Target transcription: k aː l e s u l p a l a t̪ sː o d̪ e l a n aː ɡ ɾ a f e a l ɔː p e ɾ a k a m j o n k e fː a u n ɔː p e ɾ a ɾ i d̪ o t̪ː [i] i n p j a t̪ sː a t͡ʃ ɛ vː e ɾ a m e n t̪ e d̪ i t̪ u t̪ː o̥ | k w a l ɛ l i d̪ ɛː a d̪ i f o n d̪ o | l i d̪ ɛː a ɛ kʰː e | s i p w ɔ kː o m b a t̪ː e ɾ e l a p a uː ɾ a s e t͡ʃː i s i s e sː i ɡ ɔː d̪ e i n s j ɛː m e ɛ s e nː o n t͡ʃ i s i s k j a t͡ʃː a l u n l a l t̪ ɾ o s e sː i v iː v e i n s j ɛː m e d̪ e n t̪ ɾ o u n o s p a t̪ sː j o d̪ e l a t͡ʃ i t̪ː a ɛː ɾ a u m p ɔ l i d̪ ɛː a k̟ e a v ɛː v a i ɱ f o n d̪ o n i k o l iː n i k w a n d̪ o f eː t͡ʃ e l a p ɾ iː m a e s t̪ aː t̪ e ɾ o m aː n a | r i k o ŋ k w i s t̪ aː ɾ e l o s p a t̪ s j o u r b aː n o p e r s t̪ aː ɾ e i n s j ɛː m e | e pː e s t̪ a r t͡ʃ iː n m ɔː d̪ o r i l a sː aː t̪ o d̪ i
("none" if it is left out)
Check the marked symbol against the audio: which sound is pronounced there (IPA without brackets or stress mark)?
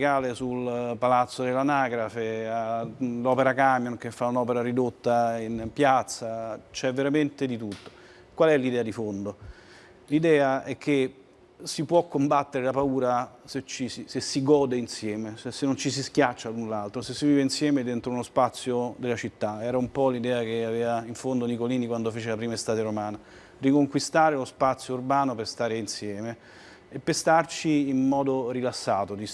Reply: a